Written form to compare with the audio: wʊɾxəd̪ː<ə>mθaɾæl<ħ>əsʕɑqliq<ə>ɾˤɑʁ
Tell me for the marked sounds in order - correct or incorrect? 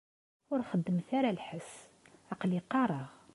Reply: correct, correct, incorrect

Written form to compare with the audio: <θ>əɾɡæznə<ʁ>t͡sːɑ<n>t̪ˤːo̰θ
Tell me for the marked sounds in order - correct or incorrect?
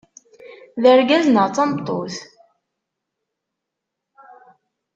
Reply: incorrect, correct, incorrect

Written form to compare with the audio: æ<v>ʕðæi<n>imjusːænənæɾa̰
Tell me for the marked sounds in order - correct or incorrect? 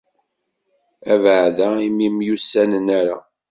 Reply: correct, incorrect

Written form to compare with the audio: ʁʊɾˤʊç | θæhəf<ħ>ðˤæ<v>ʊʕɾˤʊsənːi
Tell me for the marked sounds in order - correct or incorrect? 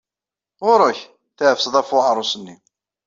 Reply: incorrect, incorrect

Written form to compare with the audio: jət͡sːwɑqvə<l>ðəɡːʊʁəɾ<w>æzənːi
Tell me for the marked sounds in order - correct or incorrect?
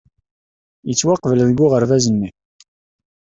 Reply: correct, incorrect

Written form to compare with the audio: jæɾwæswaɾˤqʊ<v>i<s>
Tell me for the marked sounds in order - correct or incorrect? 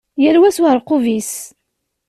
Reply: correct, correct

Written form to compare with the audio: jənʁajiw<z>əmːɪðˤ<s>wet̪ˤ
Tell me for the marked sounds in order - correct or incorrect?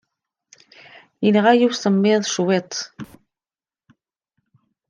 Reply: incorrect, incorrect

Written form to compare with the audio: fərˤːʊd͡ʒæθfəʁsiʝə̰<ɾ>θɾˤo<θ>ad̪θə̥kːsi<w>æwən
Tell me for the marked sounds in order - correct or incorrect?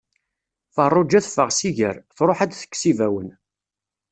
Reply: correct, incorrect, incorrect

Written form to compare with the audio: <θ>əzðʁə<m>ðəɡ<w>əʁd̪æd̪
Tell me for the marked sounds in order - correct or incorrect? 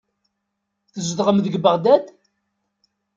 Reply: correct, correct, incorrect

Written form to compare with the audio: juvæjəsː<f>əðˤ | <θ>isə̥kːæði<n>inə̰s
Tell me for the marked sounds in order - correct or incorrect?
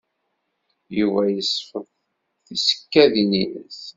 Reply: correct, correct, correct

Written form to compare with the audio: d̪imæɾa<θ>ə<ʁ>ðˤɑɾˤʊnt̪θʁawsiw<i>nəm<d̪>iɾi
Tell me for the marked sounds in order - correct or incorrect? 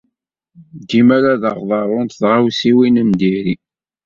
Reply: incorrect, correct, correct, correct

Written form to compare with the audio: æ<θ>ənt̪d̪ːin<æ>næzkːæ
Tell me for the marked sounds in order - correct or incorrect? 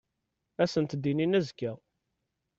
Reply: incorrect, incorrect

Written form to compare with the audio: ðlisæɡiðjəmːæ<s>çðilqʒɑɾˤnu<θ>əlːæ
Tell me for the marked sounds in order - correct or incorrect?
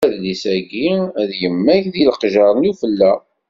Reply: incorrect, incorrect

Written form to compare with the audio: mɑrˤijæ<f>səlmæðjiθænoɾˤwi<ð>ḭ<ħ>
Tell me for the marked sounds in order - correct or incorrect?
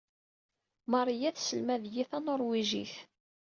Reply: incorrect, incorrect, incorrect

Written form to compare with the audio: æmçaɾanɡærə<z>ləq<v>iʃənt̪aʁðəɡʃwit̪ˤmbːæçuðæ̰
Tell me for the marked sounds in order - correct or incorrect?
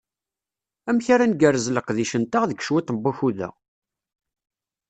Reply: correct, incorrect

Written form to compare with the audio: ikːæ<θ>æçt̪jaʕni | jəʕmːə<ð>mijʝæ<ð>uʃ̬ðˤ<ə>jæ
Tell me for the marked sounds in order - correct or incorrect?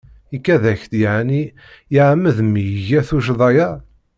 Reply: incorrect, correct, incorrect, incorrect

